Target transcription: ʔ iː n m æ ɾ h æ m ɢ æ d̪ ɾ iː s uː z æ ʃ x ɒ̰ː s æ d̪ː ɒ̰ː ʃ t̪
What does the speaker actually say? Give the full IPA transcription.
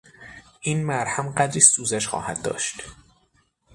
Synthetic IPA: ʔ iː n m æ ɾ h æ m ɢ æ d̪ ɾ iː s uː z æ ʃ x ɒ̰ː h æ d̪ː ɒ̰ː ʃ t̪